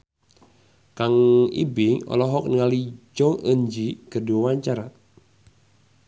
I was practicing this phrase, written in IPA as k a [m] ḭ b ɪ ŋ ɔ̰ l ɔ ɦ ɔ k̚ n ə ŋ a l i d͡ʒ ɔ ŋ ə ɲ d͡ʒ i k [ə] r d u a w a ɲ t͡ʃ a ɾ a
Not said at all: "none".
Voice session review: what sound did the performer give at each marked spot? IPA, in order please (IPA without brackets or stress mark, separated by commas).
ŋ, ə